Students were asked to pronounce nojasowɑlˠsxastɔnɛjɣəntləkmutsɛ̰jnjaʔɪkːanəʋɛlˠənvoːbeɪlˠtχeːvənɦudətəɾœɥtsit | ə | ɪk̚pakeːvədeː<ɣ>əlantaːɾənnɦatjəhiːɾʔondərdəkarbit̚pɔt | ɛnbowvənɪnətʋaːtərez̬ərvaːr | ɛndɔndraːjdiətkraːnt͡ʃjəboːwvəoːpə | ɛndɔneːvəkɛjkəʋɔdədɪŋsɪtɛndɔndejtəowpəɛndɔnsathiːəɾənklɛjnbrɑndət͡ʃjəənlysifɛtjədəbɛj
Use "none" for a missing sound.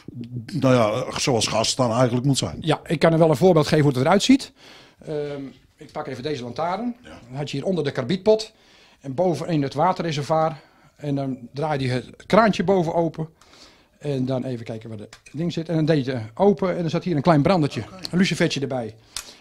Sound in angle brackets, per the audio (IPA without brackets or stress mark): z